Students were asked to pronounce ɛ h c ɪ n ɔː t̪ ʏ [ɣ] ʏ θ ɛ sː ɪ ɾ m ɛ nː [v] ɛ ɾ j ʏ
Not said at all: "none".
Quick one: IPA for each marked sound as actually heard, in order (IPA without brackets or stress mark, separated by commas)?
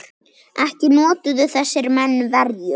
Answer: ð, v